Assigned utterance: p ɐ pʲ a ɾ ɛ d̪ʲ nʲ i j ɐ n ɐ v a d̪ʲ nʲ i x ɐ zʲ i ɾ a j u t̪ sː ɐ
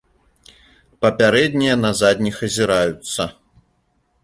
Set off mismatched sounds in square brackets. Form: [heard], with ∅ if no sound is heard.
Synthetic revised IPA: p ɐ pʲ a ɾ ɛ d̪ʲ nʲ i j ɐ n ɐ [z] a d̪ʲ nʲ i x ɐ zʲ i ɾ a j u t̪ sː ɐ